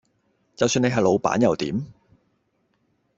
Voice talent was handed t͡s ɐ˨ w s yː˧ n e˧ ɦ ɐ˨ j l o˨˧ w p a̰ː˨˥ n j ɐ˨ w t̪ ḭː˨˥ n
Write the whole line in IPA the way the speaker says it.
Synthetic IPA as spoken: t͡s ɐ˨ w s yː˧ n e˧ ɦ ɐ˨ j l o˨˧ w p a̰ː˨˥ n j ɐ˨ w t̪ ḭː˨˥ m